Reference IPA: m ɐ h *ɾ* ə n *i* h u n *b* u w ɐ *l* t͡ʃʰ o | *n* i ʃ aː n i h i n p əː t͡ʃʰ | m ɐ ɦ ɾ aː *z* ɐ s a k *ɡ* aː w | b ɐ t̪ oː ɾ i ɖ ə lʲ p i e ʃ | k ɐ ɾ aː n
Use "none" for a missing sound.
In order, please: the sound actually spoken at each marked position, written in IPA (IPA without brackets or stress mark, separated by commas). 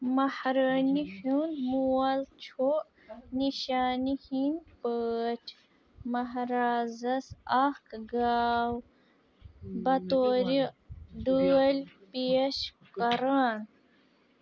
ɾ, i, m, l, n, z, ɡ